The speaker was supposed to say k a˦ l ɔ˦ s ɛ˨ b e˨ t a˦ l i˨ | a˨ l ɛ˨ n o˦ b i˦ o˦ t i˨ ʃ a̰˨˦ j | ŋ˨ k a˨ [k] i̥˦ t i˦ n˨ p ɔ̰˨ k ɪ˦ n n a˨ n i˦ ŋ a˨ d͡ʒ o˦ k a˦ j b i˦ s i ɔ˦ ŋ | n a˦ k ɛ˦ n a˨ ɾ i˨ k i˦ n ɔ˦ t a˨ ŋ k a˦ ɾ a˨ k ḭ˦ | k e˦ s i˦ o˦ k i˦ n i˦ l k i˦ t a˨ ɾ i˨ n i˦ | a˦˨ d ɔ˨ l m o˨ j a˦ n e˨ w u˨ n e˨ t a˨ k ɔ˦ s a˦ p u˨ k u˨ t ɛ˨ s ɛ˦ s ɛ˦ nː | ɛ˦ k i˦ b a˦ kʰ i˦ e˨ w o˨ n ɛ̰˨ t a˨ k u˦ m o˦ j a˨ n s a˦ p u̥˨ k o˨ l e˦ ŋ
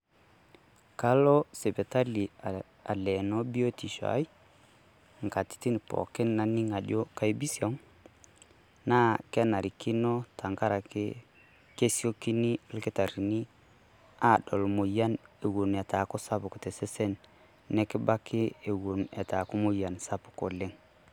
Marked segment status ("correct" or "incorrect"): incorrect